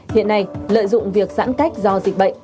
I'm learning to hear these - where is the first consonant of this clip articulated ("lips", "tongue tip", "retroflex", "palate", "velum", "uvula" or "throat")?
throat